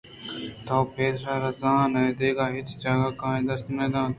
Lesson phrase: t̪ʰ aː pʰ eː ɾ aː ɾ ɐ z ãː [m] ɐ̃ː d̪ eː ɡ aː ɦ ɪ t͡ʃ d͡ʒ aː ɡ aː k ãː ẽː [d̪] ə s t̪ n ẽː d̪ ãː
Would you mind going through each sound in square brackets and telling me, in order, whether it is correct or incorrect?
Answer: incorrect, correct

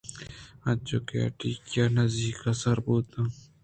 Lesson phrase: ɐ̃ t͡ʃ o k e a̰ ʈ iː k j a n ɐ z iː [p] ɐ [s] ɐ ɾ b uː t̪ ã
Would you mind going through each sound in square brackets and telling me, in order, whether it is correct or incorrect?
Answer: incorrect, correct

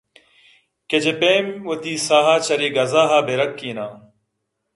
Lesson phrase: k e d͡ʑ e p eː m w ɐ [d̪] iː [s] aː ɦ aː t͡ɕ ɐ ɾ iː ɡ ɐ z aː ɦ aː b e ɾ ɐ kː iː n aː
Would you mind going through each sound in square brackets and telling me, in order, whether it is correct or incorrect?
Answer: incorrect, correct

